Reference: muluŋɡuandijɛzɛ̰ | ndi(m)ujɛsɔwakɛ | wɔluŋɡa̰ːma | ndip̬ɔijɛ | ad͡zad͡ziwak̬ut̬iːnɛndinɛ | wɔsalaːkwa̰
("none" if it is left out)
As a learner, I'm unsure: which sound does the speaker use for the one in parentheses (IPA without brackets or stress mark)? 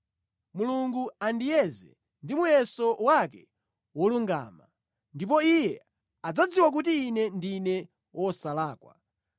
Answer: m